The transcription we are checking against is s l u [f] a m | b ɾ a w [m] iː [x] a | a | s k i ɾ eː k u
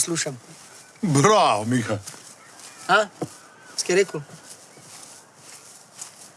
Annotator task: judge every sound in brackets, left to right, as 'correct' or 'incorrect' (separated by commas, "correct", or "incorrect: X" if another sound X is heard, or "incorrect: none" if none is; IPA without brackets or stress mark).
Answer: incorrect: ʃ, correct, correct